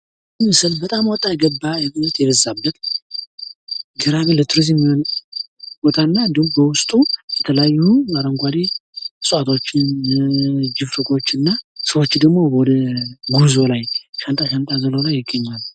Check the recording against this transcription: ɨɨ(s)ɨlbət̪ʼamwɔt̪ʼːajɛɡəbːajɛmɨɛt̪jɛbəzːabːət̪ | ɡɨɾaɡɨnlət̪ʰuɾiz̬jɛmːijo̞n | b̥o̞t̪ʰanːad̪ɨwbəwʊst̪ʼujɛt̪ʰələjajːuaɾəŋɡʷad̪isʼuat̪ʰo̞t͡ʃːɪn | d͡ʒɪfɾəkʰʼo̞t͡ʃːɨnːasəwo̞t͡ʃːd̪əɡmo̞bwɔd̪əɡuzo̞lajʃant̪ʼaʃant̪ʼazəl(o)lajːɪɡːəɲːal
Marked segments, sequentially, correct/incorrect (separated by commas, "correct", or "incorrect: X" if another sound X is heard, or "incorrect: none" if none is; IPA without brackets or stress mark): correct, correct